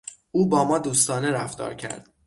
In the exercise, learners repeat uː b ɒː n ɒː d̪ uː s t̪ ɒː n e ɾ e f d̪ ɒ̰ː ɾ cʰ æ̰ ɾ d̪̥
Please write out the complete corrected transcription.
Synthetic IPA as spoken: uː b ɒː m ɒː d̪ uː s t̪ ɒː n e ɾ æ f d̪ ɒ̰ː ɾ cʰ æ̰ ɾ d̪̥